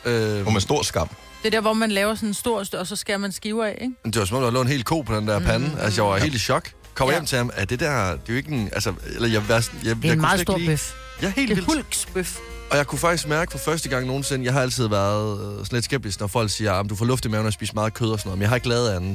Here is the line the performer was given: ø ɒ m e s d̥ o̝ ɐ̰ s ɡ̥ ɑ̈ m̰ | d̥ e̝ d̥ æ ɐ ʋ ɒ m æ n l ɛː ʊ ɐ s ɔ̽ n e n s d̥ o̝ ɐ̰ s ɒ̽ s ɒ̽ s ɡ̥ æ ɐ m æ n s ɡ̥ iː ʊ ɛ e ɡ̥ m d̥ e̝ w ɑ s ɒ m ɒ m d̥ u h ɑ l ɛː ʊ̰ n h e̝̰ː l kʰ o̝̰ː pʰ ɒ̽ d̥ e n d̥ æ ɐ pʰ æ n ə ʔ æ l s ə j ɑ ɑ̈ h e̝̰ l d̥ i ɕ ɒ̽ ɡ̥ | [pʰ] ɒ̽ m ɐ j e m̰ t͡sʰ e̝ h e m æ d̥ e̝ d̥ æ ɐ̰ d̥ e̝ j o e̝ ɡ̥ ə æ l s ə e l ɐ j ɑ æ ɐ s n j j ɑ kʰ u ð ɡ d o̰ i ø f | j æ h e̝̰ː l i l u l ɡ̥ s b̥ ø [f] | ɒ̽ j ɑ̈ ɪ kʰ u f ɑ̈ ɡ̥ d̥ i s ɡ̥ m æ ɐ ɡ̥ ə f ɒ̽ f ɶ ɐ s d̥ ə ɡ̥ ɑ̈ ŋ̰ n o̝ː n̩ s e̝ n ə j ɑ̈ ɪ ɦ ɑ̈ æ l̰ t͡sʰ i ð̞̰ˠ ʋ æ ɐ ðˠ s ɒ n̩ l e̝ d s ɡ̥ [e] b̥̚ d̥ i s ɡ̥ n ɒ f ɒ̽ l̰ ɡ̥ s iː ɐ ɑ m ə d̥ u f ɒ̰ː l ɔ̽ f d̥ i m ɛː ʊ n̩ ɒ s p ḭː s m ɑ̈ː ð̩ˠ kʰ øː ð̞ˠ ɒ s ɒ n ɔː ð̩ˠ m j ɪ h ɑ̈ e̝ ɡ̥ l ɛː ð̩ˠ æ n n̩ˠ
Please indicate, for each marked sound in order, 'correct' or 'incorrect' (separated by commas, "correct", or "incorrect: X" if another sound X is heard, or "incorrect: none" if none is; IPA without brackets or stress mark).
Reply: incorrect: kʰ, correct, correct